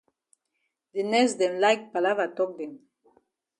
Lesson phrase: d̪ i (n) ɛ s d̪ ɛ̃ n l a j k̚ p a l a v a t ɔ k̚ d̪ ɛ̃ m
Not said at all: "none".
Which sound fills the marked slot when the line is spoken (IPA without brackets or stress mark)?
n